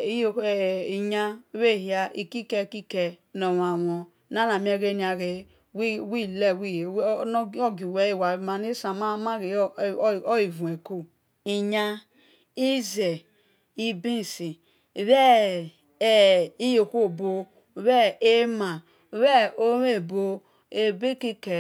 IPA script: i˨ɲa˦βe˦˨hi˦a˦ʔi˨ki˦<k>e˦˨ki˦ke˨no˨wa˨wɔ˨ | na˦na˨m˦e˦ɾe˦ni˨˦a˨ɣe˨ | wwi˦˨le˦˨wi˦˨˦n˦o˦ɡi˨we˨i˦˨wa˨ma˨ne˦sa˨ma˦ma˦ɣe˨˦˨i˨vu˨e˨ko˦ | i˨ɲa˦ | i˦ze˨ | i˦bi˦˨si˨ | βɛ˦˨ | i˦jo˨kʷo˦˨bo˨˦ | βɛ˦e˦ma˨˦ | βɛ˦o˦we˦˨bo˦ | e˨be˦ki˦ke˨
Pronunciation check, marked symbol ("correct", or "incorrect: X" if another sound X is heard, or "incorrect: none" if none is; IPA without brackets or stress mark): correct